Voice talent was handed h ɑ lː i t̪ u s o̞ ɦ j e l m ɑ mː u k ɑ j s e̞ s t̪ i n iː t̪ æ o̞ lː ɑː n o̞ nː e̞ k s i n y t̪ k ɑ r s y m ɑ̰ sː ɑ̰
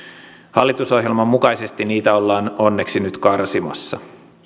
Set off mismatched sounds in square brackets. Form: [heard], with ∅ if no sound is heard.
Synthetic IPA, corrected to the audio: h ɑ lː i t̪ u s o̞ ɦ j e l m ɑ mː u k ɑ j s e̞ s t̪ i n iː t̪ æ o̞ lː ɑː n o̞ nː e̞ k s i n y t̪ k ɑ r s [i] m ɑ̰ sː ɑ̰

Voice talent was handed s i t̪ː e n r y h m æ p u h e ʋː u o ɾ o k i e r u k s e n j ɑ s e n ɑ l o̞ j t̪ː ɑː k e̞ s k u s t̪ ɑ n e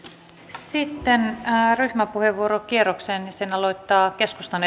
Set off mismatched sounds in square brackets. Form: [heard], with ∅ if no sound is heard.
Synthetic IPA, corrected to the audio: s i t̪ː e n r y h m æ p u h e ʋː u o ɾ o k i e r [o] k s e n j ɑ s e n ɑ l o̞ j t̪ː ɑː k e̞ s k u s t̪ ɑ n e

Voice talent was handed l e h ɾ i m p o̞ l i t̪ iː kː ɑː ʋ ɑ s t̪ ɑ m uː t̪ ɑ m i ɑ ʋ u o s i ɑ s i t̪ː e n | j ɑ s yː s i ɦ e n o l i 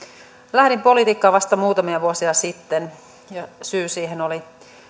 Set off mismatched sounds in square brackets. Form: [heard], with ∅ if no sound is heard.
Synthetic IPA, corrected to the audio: l [æ] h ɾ i m p o̞ l i t̪ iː kː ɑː ʋ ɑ s t̪ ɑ m uː t̪ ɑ m i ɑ ʋ u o s i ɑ s i t̪ː e n | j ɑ s yː s [iː] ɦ e n o l i

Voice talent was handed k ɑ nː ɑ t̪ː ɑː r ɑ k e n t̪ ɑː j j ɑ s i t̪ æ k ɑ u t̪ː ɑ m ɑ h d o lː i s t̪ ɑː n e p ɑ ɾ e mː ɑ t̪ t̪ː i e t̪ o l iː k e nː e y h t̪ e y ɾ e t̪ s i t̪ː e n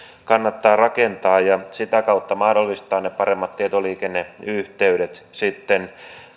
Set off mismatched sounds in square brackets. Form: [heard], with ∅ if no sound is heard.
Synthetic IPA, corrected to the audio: k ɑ nː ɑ t̪ː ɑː r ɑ k e n t̪ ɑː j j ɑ s i t̪ æ k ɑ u t̪ː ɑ m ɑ h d o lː i s t̪ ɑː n e p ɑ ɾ e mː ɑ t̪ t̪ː i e t̪ o l iː k e nː e y h t̪ e y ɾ e t̪ s i t̪ː e n

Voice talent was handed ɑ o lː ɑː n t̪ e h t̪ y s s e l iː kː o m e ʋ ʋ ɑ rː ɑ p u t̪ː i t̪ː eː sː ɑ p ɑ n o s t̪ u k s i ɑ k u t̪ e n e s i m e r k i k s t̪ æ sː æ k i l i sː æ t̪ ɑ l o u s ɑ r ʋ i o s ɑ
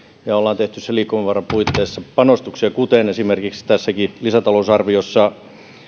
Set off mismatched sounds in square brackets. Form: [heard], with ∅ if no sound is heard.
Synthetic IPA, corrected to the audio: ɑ o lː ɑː n t̪ e h t̪ y s s e l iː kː o m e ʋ ʋ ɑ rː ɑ p u [∅] i t̪ː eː sː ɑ p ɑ n o s t̪ u k s i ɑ k u t̪ e n e s i m e r k i k s t̪ æ sː æ k i l i [s] æ t̪ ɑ l o u s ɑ r ʋ i o [sː] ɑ

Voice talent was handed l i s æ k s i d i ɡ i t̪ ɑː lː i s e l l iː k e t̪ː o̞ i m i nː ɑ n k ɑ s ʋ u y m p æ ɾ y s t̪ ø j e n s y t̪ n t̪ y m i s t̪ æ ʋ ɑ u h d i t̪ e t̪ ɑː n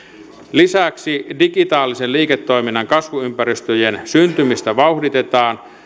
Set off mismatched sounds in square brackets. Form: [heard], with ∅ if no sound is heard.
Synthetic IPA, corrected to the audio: l i s æ k s i d i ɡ i t̪ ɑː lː i s e l l iː k e t̪ː o̞ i m i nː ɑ [ŋ] k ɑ s ʋ u y m p æ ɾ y s t̪ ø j e n s y [∅] n t̪ y m i s t̪ æ ʋ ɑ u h d i t̪ e t̪ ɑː n

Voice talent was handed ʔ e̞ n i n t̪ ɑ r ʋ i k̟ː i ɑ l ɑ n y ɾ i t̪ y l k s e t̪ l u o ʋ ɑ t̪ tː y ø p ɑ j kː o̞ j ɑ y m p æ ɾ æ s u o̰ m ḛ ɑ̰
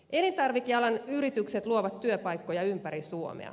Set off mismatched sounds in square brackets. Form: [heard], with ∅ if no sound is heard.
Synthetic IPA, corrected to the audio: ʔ e̞ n i n t̪ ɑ r ʋ i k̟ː i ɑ l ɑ n y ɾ i t̪ y [∅] k s e t̪ l u o ʋ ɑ t̪ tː y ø p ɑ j kː o̞ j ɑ y m p æ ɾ [i] s u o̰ m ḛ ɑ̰

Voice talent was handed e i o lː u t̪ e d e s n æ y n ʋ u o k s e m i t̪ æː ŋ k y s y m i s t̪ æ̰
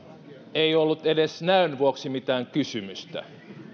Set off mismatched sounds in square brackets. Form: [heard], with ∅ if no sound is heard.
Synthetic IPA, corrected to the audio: e i o lː u t̪ e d e s n æ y n ʋ u o k s [i] m i t̪ æː ŋ k y s y m [y] s t̪ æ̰

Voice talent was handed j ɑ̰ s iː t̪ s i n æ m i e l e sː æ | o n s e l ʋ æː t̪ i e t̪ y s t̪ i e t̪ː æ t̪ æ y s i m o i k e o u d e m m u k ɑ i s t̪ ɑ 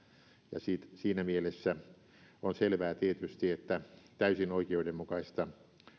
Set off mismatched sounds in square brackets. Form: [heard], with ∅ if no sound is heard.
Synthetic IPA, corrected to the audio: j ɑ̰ s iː t̪ s [iː] n æ m i e l e sː æ | o n s e l ʋ æː t̪ i e t̪ y s t̪ i e t̪ː æ t̪ æ y s i [n] o i k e o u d e m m u k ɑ i s t̪ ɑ

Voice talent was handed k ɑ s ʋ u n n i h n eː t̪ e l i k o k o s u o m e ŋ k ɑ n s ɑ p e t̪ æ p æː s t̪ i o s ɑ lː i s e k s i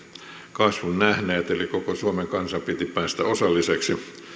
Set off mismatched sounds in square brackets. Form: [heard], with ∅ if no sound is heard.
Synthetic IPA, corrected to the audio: k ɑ s ʋ u n n [æ] h n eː t̪ e l i k o k o s u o m e ŋ k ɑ n s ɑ p [i] t̪ [i] p æː s t̪ [æ] o s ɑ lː i s e k s i

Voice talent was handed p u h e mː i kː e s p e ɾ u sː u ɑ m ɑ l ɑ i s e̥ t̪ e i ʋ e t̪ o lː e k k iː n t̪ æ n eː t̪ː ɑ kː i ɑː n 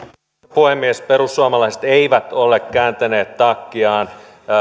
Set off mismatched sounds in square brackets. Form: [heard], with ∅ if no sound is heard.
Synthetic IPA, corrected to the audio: p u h e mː i [∅] e s p e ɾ u sː u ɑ m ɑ l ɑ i s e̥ t̪ e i ʋ [æ] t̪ o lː e k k [æː] n t̪ æ n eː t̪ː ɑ kː i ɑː n

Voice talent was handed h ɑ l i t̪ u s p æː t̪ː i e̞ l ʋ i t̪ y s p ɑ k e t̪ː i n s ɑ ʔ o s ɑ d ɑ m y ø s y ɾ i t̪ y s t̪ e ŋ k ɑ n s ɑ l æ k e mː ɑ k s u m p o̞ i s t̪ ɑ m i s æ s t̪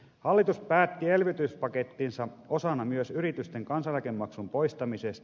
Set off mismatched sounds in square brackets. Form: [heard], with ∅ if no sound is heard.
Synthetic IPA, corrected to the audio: h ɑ [lː] i t̪ u s p æː t̪ː i e̞ l ʋ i t̪ y s p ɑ k e t̪ː i n s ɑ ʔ o s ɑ [n] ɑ m y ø s y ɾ i t̪ y s t̪ e ŋ k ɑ n s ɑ l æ k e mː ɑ k s u m p o̞ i s t̪ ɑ m i s [e] s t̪

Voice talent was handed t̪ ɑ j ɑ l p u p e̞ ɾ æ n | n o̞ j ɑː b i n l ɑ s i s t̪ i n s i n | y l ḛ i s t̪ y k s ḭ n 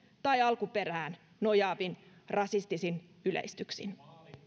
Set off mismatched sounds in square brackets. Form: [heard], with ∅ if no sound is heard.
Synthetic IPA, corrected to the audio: t̪ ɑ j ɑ l [k] u p e̞ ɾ [æː] n | n o̞ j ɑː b i n [r] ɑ s i s t̪ i [∅] s i n | y l ḛ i s t̪ y k s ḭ n

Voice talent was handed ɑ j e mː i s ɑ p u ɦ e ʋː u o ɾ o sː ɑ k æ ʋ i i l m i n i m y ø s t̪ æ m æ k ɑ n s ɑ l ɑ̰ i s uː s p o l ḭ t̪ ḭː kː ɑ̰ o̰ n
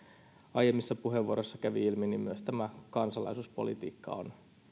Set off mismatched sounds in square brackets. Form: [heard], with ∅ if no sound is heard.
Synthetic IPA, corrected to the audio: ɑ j e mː i [sː] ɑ p u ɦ e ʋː u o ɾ o sː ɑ k æ ʋ i i l m i n i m y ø s t̪ æ m æ k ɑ n s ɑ l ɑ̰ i s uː s p o l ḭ t̪ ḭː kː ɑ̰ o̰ n

